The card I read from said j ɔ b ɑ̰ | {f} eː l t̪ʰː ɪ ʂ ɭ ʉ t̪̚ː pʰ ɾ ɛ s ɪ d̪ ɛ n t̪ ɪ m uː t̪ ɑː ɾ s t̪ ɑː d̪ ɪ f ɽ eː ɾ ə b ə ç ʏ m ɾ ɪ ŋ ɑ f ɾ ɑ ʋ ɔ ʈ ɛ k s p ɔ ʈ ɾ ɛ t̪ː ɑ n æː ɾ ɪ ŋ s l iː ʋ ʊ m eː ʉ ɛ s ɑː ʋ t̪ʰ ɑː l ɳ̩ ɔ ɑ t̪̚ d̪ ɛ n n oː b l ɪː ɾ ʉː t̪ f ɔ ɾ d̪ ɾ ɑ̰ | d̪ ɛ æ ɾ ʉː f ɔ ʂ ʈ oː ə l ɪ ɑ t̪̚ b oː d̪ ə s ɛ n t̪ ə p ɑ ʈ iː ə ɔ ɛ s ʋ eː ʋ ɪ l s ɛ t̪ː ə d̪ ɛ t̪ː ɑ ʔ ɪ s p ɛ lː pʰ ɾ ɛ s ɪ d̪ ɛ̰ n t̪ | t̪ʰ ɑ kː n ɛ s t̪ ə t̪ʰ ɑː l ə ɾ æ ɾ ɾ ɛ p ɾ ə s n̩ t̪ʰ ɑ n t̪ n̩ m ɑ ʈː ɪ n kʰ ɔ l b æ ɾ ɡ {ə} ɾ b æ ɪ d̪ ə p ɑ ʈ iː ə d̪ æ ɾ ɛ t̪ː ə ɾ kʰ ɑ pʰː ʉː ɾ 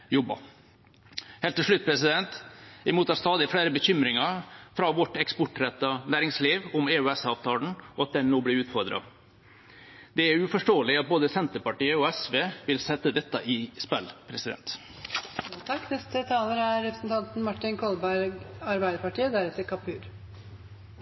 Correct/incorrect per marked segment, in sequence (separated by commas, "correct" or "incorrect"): incorrect, incorrect